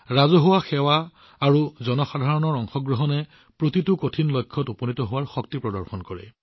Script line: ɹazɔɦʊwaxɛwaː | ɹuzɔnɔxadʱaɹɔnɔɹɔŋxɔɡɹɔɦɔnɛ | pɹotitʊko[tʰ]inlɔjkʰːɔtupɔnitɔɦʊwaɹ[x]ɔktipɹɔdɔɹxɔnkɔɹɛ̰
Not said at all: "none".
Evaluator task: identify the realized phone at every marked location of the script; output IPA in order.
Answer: tʰ, x

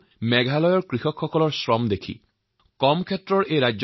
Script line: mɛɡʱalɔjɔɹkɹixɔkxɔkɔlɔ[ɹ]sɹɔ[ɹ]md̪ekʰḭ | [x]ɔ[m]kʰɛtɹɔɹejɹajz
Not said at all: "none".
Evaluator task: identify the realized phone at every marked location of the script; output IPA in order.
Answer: ɹ, none, k, m

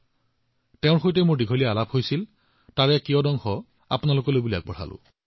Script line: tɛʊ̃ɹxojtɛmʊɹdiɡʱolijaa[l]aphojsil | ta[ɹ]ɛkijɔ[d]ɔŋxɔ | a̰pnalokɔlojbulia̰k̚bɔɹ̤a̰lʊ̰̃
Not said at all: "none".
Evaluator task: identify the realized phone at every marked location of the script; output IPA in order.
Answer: l, ɹ, d

